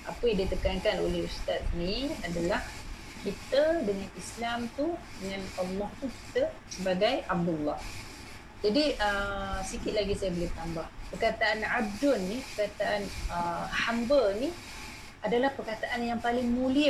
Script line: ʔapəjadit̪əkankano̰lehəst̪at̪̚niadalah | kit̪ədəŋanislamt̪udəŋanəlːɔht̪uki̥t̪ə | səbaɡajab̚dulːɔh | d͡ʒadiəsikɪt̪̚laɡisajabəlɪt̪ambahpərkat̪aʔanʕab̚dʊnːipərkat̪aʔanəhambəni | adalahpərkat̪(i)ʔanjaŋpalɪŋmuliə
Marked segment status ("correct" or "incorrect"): incorrect